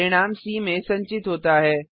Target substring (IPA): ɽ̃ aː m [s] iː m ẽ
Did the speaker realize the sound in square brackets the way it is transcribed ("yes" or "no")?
yes